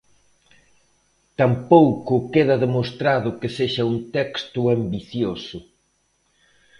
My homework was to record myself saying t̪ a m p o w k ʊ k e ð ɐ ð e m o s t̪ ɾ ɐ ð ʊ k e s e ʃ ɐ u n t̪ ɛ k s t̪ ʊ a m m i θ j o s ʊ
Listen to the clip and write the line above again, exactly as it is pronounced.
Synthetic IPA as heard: t̪ a m p o w k ʊ k e ð ɐ ð e m o s t̪ ɾ a ð ʊ k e s e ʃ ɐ u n t̪ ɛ k s t̪ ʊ a m b i θ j o s ʊ